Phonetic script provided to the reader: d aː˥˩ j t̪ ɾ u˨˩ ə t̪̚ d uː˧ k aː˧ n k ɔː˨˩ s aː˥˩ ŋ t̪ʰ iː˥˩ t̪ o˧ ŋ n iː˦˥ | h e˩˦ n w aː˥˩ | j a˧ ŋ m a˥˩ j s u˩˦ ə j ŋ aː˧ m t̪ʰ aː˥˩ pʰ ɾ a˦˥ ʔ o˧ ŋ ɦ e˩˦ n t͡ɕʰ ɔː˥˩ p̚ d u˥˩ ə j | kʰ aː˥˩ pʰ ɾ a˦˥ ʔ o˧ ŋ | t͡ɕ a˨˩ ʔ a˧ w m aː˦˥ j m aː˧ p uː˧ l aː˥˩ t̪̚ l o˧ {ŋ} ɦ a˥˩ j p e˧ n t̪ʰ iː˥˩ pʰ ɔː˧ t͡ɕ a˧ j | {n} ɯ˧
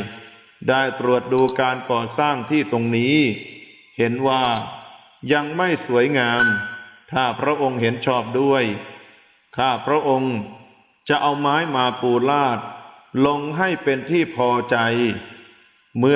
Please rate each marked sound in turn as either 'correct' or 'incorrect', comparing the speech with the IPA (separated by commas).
correct, incorrect